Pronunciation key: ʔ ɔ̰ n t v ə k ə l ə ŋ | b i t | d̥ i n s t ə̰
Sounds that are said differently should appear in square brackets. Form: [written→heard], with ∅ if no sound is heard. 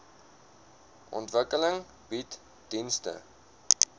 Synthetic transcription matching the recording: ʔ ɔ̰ n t v ə k ə l ə ŋ | b i t | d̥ i n s t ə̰